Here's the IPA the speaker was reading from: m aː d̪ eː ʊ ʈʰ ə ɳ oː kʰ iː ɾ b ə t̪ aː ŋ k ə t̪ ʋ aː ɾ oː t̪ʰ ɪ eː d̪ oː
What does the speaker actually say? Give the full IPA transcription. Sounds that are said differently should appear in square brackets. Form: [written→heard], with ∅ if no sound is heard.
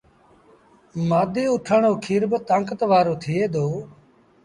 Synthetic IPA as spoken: m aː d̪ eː ʊ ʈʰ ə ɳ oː kʰ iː ɾ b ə t̪ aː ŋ k ə t̪ ʋ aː ɾ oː t̪ʰ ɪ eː d̪ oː